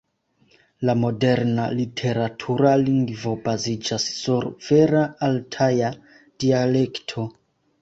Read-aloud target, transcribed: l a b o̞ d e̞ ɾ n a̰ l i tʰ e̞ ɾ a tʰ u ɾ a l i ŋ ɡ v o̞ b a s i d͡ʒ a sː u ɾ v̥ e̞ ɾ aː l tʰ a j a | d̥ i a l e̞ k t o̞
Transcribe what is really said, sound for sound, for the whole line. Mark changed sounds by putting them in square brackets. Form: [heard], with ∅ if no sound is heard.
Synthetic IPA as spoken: l a [m] o̞ d e̞ ɾ n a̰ l i tʰ e̞ ɾ a tʰ u ɾ a l i ŋ ɡ v o̞ b a [z] i d͡ʒ a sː u ɾ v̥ e̞ ɾ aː l tʰ a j a | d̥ i a l e̞ k [tʰ] o̞